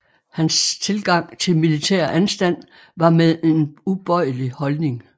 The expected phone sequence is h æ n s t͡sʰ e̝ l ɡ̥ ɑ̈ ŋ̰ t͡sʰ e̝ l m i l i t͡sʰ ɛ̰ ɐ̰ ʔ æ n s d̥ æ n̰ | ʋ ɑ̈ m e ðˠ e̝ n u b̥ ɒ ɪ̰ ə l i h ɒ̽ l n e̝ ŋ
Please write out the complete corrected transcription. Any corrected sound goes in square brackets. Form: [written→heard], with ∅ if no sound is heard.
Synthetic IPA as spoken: h æ n s t͡sʰ e̝ l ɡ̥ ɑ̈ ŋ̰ t͡sʰ e̝ l m i l i t͡sʰ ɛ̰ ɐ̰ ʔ æ n s d̥ æ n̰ | ʋ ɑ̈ m e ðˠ e̝ n u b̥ ɒ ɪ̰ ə l i h ɒ̽ l n e̝ ŋ